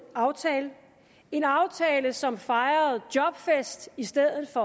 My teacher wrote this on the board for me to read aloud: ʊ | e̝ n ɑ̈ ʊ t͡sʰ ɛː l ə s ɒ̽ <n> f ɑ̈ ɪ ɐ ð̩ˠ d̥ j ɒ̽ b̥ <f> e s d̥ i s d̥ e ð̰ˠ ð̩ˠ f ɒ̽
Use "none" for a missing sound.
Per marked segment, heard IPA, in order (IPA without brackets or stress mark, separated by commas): m, f